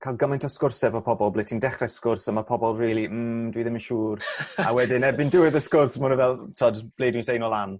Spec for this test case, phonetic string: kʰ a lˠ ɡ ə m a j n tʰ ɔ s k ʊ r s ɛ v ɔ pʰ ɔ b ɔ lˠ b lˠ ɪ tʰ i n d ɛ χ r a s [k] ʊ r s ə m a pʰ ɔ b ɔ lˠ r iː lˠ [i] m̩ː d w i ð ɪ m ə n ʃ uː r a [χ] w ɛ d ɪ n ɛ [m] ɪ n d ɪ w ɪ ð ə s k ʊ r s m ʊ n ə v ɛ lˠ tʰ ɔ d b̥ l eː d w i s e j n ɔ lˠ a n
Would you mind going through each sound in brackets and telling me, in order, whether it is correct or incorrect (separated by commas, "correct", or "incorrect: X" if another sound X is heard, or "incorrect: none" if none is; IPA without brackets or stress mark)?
correct, correct, incorrect: none, incorrect: b